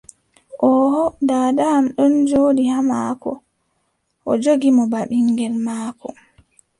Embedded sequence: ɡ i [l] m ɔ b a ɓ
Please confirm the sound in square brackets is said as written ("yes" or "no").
no